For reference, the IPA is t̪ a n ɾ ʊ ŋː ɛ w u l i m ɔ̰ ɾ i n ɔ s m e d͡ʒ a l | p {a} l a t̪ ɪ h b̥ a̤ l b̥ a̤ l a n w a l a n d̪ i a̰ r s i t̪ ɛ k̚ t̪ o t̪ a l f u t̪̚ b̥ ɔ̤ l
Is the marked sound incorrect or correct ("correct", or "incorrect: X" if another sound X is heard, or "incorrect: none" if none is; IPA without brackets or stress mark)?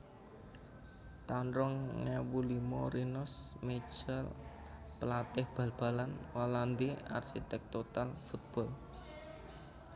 incorrect: ə